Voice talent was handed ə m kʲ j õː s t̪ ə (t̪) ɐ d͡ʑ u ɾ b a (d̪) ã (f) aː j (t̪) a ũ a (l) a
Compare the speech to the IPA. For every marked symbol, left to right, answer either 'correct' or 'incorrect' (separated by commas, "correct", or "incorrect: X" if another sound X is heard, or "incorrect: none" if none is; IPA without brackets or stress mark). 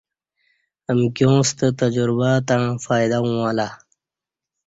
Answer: correct, incorrect: t̪, correct, incorrect: d̪, correct